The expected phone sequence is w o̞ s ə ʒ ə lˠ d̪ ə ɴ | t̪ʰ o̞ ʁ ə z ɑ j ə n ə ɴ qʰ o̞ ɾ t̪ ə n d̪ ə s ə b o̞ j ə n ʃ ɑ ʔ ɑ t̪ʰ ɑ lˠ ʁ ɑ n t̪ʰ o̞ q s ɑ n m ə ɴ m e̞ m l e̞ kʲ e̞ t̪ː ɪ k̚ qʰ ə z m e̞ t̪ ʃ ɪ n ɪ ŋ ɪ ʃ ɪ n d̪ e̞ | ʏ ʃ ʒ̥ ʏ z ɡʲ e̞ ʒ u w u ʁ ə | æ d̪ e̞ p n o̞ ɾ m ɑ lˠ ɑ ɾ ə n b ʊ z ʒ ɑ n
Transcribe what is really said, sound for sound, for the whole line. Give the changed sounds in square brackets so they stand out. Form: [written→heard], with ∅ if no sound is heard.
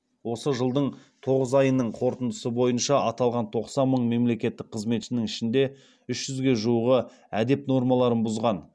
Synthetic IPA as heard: w o̞ s ə ʒ ə lˠ d̪ ə ɴ | t̪ʰ o̞ ʁ ə z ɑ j ə n ə ɴ qʰ o̞ ɾ t̪ ə n d̪ ə s ə b o̞ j ə n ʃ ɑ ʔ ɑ [t̪ʰ→t̪] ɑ lˠ ʁ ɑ n t̪ʰ o̞ q s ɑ n m ə ɴ m e̞ m l e̞ kʲ e̞ t̪ː ɪ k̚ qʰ ə z m e̞ t̪ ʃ ɪ n ɪ ŋ ɪ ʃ ɪ n d̪ e̞ | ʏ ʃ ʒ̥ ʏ z ɡʲ e̞ ʒ u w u ʁ ə | æ d̪ e̞ p n o̞ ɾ m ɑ lˠ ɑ ɾ ə n b ʊ z [ʒ→ʁ] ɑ n